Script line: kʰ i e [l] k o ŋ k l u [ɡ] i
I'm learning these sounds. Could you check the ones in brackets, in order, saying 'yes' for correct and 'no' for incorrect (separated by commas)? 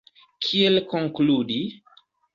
yes, no